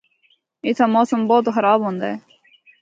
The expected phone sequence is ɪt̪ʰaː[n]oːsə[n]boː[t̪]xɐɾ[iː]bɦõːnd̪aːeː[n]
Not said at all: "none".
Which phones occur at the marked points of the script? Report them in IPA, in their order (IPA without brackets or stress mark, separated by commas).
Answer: m, m, t̪, aː, none